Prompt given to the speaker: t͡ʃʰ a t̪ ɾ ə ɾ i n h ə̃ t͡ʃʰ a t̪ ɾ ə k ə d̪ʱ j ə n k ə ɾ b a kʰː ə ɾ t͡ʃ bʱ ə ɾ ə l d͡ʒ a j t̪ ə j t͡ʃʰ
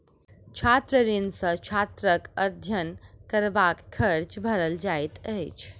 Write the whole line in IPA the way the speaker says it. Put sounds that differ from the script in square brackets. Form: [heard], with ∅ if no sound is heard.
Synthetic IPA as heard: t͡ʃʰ a t̪ ɾ ə ɾ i n [s] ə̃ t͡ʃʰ a t̪ ɾ ə k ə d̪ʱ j ə n k ə ɾ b a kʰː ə ɾ t͡ʃ bʱ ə ɾ ə l d͡ʒ a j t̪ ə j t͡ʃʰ